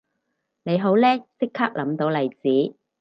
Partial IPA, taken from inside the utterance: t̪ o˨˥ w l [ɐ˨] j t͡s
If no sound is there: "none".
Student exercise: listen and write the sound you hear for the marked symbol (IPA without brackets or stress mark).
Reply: ɐ˨